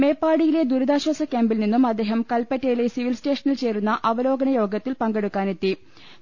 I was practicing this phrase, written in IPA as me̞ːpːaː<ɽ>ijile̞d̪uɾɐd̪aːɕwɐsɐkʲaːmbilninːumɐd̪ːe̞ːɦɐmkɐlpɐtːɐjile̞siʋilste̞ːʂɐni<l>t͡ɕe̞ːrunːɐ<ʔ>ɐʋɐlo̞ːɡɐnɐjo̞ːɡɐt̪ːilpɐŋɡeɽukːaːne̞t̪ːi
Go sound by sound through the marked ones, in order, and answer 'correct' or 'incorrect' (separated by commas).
correct, correct, correct